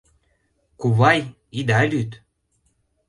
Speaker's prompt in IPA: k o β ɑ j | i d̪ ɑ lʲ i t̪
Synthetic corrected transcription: k u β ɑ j | i d̪ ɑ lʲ y t̪